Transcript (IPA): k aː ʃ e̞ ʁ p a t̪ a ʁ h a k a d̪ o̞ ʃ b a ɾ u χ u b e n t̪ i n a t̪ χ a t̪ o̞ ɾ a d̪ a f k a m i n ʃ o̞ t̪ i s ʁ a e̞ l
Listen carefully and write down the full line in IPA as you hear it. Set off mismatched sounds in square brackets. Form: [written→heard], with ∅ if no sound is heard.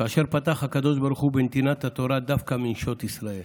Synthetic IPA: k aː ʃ e̞ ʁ p a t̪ a [ʁ→χ] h a k a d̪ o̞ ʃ b a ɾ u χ u b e n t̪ i n a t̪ [χ→h] a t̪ o̞ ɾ a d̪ a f k a m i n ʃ o̞ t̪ i s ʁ a e̞ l

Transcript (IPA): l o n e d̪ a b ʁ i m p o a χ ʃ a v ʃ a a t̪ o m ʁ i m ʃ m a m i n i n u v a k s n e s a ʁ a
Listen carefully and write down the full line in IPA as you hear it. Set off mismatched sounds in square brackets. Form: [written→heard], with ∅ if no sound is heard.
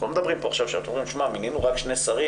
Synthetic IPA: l o [n→m] e d̪ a b ʁ i m p o a χ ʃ a v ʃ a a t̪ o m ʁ i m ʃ m a m i n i n u [v→ʁ] a k [s→ʃ] n e s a ʁ [a→i]

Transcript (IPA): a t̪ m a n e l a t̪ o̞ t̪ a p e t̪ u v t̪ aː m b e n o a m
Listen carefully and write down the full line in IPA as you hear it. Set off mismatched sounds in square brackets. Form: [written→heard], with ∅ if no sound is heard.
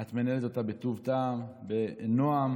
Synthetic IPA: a t̪ m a n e l [a→e] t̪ o̞ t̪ a [p→b] e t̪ u v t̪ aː m b e n o a m

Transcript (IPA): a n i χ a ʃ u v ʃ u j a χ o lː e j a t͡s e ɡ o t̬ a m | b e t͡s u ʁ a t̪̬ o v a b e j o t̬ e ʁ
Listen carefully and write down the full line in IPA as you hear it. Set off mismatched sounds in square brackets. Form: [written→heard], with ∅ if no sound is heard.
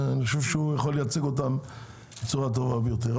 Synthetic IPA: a n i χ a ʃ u v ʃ u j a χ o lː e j a t͡s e ɡ o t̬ a m | b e t͡s u ʁ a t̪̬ o v a b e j o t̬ e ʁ

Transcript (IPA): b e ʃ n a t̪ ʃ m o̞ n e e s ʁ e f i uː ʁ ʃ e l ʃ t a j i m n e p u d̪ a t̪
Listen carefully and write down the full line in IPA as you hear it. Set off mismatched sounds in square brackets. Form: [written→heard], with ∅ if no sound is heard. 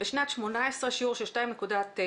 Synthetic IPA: b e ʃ n a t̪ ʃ m o̞ n [e→a] e s ʁ e [f→ʃ] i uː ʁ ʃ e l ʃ t a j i m n e [p→k] u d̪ a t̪

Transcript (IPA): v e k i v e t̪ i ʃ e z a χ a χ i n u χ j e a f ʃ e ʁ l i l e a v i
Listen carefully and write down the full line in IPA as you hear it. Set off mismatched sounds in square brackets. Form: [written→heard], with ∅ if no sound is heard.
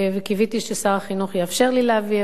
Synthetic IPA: v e k i v [e→i] t̪ i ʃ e [z→s] a [χ→ʁ] a χ i n u χ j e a f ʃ e ʁ l i l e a v i

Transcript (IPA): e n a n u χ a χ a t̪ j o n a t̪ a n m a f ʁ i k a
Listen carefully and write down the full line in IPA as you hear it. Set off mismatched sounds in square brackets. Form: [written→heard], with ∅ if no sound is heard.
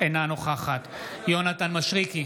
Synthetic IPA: e n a n [u→o] χ a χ a t̪ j o n a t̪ a n m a [f→ʃ] ʁ i k [a→i]

